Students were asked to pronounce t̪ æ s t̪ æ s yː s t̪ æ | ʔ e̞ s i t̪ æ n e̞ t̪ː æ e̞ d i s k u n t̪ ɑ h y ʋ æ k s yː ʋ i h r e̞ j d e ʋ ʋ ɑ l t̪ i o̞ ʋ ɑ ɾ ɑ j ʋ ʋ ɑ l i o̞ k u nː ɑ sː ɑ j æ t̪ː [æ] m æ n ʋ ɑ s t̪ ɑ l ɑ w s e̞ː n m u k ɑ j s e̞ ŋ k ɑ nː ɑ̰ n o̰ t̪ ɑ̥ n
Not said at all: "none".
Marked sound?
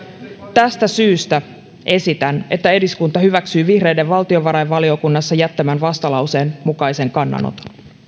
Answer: æ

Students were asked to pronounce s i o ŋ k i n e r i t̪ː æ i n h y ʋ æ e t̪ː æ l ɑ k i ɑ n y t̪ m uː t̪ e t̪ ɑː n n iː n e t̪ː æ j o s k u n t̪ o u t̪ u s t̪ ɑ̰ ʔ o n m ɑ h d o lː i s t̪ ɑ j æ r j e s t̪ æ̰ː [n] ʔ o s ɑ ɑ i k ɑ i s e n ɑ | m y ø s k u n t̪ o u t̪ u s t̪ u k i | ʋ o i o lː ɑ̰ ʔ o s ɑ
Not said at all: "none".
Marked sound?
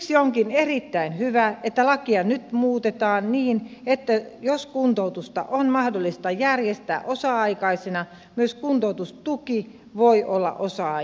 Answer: none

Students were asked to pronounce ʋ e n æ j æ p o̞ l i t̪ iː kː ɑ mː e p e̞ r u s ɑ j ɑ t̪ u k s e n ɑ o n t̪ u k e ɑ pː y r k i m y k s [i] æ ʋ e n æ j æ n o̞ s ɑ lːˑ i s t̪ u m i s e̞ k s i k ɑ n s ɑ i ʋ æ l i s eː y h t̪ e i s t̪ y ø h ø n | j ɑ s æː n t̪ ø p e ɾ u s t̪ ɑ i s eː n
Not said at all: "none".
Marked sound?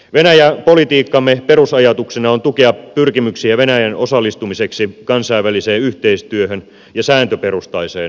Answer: i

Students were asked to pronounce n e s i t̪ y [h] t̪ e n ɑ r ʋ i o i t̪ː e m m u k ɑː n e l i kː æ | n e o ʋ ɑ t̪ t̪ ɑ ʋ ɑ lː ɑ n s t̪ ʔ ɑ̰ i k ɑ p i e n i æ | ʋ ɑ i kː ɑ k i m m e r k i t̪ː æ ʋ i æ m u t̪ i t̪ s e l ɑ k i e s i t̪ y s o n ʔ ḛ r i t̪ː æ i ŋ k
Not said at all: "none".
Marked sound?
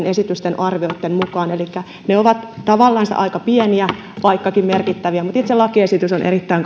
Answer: s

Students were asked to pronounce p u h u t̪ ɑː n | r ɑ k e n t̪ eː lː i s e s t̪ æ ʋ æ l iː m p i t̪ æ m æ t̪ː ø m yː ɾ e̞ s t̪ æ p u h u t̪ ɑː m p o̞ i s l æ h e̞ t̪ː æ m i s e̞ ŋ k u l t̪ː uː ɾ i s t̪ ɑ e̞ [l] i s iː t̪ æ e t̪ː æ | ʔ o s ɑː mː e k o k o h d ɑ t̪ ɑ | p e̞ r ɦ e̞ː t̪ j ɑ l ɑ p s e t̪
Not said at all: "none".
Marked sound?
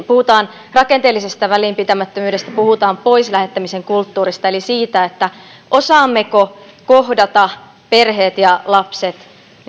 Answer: l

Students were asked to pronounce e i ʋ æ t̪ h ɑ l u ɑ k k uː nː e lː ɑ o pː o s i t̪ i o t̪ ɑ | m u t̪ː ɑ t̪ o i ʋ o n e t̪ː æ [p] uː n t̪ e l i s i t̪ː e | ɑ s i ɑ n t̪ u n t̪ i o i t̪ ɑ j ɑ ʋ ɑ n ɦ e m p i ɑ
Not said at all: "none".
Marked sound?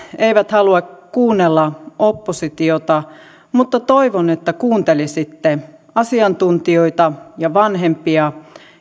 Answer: k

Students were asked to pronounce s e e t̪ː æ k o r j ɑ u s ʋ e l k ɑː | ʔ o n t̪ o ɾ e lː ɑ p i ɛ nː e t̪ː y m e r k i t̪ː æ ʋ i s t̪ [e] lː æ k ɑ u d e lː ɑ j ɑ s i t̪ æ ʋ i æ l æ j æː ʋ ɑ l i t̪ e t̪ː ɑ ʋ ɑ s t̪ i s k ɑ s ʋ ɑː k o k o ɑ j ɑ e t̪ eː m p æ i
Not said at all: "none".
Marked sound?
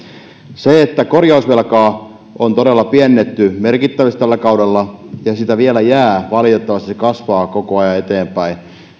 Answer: æ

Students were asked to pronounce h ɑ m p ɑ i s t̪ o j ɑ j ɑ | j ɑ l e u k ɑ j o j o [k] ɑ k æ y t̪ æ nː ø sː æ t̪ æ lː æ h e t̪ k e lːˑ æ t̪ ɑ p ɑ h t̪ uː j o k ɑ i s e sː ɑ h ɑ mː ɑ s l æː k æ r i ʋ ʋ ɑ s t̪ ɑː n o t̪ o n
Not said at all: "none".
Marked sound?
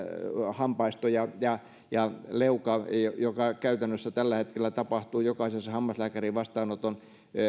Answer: k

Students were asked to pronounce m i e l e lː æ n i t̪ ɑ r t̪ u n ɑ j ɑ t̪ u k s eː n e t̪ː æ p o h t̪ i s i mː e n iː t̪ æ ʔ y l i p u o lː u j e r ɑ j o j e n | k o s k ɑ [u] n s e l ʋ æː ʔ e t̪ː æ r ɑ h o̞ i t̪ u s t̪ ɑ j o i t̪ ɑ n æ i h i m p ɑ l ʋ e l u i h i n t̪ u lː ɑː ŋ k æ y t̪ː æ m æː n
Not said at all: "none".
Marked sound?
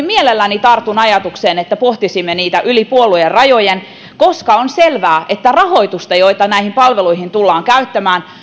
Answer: o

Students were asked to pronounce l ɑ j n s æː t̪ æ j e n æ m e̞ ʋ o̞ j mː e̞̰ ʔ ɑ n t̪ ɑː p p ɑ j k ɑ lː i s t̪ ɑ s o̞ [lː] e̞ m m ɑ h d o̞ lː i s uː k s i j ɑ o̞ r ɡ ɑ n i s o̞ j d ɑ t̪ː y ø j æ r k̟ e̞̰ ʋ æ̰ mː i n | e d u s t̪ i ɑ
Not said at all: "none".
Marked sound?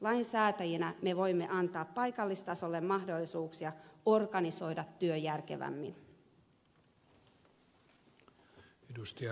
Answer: lː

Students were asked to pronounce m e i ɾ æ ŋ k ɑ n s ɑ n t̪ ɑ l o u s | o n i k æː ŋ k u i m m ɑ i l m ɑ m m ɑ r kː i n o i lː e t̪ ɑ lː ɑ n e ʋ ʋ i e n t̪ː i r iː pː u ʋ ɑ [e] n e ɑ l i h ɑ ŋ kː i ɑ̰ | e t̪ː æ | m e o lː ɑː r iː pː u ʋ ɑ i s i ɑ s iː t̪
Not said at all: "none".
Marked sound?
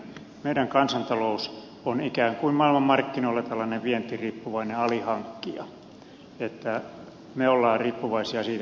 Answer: i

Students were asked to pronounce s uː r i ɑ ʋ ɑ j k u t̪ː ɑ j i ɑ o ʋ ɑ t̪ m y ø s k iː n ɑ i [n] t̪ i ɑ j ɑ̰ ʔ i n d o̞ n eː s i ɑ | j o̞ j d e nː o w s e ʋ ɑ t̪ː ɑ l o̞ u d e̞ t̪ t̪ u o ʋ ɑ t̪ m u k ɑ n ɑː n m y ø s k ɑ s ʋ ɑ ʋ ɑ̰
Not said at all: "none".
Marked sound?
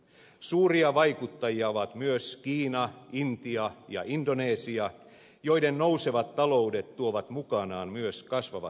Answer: n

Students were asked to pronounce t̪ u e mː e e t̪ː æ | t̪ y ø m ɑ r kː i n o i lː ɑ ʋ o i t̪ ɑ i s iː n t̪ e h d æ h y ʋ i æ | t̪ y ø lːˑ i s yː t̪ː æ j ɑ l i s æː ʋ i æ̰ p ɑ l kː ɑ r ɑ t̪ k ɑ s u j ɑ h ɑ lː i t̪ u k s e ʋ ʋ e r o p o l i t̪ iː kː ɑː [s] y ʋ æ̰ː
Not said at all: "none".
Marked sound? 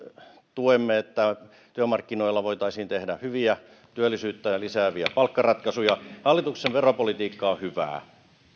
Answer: h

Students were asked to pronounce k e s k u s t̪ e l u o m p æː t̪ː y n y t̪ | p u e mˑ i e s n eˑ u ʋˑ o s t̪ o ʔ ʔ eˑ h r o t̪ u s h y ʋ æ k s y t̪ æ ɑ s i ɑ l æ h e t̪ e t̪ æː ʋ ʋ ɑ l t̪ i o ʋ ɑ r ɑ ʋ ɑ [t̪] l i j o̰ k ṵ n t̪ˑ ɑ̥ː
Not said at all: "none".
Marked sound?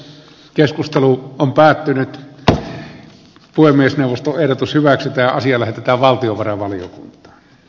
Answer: none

